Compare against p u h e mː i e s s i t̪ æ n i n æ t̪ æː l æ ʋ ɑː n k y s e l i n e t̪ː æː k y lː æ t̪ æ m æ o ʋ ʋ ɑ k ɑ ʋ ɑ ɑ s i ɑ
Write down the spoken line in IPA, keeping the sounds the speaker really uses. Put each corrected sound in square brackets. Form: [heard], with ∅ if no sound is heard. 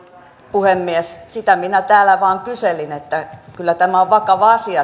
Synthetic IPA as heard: p u h e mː i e s s i t̪ æ [m] i n æ t̪ æː l æ ʋ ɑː [ŋ] k y s e l i n e t̪ː [æ] k y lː æ t̪ æ m æ o ʋ ʋ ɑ k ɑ ʋ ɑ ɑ s i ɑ